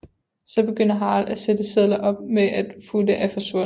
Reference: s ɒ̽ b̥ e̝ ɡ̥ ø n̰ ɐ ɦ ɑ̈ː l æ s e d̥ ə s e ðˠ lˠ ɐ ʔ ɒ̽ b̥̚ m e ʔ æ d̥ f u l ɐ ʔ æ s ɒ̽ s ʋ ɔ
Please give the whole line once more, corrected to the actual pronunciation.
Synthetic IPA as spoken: s ɒ̽ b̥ e̝ ɡ̥ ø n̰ ɐ ɦ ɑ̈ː l æ s e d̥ ə s e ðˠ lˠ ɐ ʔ ɒ̽ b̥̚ m e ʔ æ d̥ f u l ə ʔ æ f ɒ̽ s ʋ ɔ